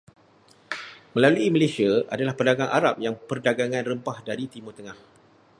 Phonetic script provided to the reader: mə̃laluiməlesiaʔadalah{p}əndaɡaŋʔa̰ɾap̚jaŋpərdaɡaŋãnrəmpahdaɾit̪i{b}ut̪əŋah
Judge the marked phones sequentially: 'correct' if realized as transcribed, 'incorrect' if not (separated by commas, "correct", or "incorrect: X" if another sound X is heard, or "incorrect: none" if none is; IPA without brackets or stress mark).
correct, incorrect: m